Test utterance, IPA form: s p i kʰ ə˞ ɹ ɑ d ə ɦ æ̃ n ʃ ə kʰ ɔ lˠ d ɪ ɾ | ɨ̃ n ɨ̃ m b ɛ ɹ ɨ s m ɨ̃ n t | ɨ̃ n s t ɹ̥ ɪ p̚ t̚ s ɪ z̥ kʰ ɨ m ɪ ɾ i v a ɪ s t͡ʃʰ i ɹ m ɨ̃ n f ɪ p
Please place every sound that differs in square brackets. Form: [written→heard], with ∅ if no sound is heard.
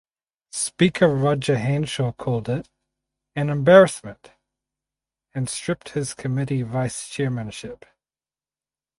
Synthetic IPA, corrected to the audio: s p i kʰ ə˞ ɹ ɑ [d→d͡ʒ] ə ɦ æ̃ n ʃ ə kʰ ɔ lˠ d ɪ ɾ | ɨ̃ n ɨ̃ m b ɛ ɹ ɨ s m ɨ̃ n t | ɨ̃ n s t ɹ̥ ɪ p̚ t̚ [s→h] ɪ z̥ kʰ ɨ m ɪ ɾ i v a ɪ s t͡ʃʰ [i→ɛ] ɹ m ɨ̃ n [f→ʃ] ɪ p